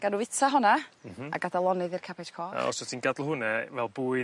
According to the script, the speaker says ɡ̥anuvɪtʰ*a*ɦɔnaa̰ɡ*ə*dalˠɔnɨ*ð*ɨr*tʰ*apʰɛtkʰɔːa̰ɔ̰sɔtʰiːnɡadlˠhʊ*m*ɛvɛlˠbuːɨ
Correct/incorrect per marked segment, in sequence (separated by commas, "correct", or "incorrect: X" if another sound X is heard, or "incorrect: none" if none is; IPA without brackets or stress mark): correct, incorrect: a, correct, incorrect: kʰ, incorrect: n